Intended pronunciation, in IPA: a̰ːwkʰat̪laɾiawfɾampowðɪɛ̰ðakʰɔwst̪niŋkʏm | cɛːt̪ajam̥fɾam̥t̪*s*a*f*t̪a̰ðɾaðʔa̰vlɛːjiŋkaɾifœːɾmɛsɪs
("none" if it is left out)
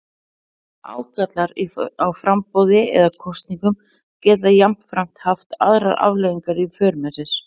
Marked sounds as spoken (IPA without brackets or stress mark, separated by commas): h, f